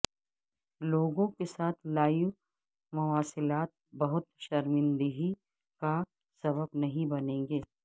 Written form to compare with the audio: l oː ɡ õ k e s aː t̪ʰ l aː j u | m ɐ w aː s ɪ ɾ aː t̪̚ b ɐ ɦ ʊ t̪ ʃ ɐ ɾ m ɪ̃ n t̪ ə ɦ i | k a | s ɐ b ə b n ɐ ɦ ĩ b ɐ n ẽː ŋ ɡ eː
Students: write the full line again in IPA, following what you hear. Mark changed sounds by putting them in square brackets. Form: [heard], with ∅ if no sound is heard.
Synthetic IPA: l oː ɡ õ k e s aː t̪ʰ l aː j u | m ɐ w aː s ɪ [l] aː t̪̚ b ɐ ɦ ʊ t̪ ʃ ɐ ɾ m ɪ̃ n [d̪] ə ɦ i | k a | s ɐ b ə b n ɐ ɦ ĩ b ɐ n ẽː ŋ ɡ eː